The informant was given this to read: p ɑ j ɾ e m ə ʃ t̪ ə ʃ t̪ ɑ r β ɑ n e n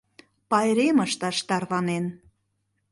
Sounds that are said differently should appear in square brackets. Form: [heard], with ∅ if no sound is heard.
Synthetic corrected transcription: p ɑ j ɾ e m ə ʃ t̪ [ɑ] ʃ t̪ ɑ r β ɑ n e n